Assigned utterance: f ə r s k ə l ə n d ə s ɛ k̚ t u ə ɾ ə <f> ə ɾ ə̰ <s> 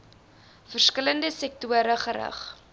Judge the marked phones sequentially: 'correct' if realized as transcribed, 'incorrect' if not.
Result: incorrect: χ, incorrect: χ

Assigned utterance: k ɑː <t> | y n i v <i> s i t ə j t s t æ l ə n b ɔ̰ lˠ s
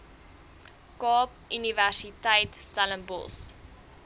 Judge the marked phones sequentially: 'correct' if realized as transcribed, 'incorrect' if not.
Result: incorrect: p, incorrect: æ

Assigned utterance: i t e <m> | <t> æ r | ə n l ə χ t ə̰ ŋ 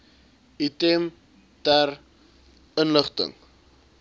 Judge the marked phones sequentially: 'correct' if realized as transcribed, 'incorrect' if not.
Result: correct, correct

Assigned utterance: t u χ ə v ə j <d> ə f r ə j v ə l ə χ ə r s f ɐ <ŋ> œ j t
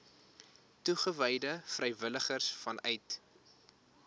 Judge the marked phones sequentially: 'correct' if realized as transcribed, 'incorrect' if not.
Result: correct, incorrect: n

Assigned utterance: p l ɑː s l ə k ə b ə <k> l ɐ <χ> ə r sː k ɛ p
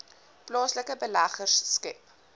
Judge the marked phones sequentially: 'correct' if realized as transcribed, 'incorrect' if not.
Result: incorrect: none, correct

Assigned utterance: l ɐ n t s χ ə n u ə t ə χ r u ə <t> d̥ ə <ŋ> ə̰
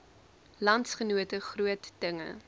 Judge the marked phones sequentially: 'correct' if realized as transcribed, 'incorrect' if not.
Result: correct, correct

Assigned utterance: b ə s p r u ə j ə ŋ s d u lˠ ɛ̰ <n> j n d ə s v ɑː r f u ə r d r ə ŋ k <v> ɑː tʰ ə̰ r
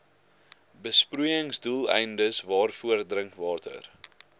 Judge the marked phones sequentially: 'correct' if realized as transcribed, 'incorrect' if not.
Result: incorrect: none, correct

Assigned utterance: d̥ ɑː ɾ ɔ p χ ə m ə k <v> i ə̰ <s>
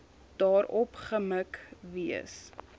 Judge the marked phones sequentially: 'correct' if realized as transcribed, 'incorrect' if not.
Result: correct, correct

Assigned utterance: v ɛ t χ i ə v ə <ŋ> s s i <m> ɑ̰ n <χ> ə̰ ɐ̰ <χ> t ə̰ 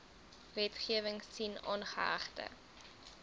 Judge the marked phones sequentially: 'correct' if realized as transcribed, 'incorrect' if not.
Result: correct, incorrect: n, correct, correct

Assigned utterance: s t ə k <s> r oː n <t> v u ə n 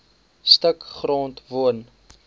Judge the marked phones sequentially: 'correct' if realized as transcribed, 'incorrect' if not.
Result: incorrect: χ, correct

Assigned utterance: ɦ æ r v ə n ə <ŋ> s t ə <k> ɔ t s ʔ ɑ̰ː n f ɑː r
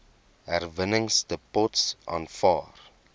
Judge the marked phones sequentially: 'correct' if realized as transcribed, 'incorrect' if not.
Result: correct, incorrect: p

